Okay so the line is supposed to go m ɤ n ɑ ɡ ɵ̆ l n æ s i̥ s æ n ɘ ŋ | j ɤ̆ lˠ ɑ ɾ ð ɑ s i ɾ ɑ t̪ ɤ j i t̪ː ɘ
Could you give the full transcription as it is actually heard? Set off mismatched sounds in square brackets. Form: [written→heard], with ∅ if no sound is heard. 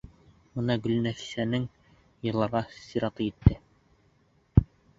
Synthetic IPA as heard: m ɤ n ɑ ɡ ɵ̆ l n æ [s→f] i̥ s æ n ɘ ŋ | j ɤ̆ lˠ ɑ ɾ [ð→ʁ] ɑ s i ɾ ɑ t̪ ɤ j i t̪ː ɘ